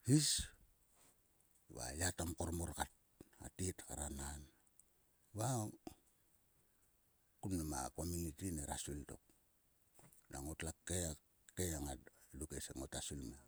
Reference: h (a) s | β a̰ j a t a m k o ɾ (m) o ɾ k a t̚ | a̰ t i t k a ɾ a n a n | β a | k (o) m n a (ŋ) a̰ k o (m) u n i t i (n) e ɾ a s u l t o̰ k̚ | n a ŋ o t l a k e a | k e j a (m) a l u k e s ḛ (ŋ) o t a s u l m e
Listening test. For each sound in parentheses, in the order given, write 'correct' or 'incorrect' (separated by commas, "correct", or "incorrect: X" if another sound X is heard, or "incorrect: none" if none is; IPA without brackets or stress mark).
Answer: incorrect: i, correct, incorrect: u, incorrect: m, correct, correct, incorrect: ŋ, correct